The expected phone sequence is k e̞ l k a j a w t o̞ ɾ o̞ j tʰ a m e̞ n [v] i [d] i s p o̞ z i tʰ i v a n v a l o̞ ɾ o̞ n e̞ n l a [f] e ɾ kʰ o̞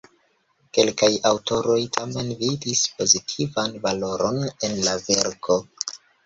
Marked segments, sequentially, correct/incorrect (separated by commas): correct, correct, incorrect